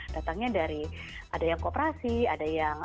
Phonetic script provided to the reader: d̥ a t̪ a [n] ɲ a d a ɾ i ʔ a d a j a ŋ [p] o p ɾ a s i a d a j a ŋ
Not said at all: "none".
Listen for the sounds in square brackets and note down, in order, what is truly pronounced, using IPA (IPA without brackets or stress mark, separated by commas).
ŋ, k